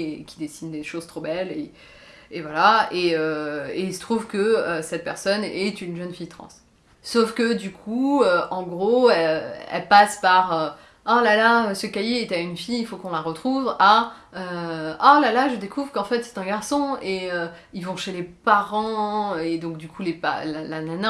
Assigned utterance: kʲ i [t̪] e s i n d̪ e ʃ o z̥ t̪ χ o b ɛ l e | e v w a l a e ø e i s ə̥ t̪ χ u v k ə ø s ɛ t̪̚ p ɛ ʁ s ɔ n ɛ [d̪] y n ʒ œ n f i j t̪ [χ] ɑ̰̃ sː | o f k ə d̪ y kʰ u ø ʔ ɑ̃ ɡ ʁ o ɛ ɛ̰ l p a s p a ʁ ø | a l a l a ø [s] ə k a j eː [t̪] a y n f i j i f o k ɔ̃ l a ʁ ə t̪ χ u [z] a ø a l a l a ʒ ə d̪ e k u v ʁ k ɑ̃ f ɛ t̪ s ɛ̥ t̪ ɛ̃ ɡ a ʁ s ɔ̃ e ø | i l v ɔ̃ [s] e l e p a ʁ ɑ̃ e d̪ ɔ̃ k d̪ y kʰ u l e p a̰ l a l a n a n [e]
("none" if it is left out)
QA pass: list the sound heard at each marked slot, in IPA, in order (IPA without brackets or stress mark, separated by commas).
d̪, t̪, χ, s, t̪, v, ʃ, a